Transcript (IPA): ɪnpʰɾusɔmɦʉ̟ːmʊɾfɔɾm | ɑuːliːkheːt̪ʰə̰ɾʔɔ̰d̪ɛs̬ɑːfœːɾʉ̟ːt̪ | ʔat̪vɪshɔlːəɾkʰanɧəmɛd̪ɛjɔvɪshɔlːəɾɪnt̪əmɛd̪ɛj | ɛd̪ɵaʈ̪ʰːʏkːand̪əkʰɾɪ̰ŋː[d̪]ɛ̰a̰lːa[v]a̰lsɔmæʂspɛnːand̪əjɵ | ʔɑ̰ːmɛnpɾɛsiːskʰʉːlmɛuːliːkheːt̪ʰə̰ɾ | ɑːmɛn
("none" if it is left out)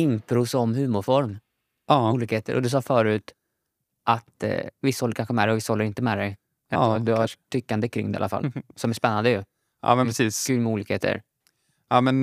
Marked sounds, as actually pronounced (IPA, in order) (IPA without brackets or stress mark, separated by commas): d̪, f